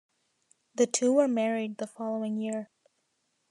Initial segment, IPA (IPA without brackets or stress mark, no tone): ð